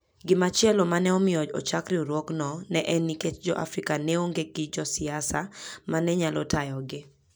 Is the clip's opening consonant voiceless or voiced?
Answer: voiced